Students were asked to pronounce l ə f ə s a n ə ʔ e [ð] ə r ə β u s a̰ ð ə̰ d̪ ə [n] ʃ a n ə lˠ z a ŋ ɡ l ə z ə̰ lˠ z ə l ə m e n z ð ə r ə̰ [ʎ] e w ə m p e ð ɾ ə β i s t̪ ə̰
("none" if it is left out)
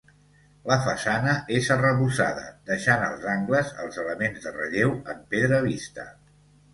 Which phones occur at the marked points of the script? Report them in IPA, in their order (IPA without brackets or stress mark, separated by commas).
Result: z, none, ʎ